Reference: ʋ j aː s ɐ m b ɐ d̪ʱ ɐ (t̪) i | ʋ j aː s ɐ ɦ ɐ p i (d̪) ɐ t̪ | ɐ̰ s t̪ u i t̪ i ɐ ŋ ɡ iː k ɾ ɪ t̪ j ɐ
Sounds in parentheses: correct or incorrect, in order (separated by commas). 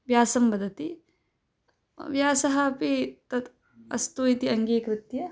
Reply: correct, incorrect